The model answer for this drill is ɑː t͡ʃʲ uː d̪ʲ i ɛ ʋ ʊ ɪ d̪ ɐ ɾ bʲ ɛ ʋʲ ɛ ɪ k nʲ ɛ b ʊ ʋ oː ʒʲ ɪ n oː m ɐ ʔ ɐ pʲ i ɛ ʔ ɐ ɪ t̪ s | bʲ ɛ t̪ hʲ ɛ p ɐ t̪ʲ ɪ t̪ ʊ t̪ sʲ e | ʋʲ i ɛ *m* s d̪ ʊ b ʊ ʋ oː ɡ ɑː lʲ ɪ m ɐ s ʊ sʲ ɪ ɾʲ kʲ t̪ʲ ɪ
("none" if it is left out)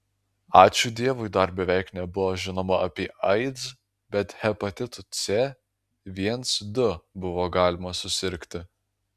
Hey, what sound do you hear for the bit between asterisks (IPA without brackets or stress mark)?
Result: n